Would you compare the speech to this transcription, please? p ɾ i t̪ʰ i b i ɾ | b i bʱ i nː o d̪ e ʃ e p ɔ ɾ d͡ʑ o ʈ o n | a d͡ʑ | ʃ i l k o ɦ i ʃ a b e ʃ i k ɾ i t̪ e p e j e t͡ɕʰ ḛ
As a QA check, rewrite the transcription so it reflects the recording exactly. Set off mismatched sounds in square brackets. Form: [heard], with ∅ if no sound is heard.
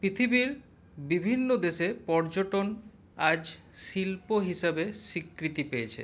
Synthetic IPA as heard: p ɾ i t̪ʰ i b i ɾ | b i bʱ i nː o d̪ e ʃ e p ɔ ɾ d͡ʑ o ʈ o n | a d͡ʑ | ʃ i l [p] o ɦ i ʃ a b e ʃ i k ɾ i t̪ [i] p e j e t͡ɕʰ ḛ